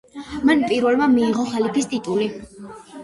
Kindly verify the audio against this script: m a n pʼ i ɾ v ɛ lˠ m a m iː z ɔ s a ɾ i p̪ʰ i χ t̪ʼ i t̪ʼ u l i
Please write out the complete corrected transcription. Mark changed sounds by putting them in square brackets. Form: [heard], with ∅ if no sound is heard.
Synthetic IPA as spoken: m a n pʼ i ɾ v ɛ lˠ m a m iː [ʁ] ɔ [χ] a [l] i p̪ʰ i [s] t̪ʼ i t̪ʼ u l i